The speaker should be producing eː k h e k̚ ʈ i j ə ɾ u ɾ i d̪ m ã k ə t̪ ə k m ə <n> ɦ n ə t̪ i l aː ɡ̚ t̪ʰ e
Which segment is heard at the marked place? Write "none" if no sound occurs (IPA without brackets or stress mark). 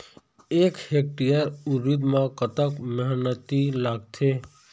none